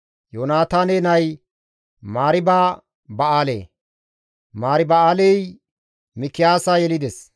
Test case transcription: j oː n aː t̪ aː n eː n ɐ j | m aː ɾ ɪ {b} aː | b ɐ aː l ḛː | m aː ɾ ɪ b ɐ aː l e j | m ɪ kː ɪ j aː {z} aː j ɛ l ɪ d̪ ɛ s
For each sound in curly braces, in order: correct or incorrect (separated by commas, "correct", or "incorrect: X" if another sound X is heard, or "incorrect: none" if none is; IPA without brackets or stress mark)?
correct, incorrect: s